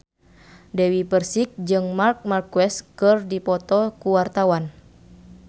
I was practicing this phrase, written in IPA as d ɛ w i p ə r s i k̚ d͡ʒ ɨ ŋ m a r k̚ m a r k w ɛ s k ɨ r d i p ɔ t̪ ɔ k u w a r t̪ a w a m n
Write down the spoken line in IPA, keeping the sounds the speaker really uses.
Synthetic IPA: d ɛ w i p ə r s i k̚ d͡ʒ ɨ ŋ m a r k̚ m a r k w ɛ s k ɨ r d i p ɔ t̪ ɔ k u w a r t̪ a w a n